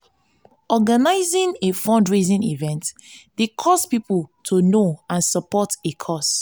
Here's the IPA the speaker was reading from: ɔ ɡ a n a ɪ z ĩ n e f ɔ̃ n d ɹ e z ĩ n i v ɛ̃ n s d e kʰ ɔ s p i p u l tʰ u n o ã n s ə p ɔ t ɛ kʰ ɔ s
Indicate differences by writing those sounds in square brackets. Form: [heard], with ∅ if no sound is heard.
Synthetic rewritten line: ɔ ɡ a n a ɪ z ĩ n e f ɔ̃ n d ɹ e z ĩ n i v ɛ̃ n [t] d e kʰ ɔ s p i p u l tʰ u n o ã n s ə p ɔ t [e] kʰ ɔ s